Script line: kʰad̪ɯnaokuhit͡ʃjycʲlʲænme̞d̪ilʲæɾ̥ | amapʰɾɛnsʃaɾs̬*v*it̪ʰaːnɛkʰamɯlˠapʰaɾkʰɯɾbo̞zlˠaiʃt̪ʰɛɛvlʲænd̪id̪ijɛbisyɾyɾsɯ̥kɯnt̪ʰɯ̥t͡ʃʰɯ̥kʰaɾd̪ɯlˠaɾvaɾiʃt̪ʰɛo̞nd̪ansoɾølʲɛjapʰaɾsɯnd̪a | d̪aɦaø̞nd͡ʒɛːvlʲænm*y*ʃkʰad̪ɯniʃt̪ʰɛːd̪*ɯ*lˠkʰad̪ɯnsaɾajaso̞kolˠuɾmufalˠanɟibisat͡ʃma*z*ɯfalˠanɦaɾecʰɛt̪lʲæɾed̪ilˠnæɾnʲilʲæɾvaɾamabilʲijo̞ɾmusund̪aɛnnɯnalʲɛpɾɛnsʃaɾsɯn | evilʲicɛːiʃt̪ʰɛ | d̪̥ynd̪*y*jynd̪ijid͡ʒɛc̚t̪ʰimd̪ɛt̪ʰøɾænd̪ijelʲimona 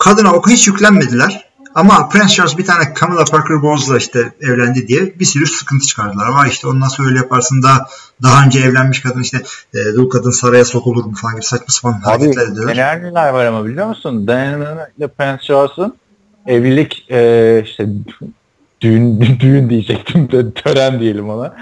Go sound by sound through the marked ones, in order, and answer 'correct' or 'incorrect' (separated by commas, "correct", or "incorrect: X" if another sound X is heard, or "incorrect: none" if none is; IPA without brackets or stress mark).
incorrect: b, incorrect: i, incorrect: u, incorrect: s, correct